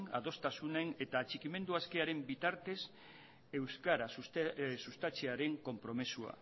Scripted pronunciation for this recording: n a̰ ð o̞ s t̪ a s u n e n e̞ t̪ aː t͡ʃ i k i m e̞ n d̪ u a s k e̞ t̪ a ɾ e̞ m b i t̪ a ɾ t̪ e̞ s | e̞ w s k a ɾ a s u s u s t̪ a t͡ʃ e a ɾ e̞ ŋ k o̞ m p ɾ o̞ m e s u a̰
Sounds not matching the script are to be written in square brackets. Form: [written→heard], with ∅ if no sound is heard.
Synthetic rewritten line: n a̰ ð o̞ s t̪ a s u n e n e̞ t̪ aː t͡ʃ i k i m e̞ n d̪ u a s k e̞ [t̪→∅] a ɾ e̞ m b i t̪ a ɾ t̪ e̞ s | e̞ w s k a ɾ a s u s u s t̪ a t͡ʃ e a ɾ e̞ ŋ k o̞ m p ɾ o̞ m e s u a̰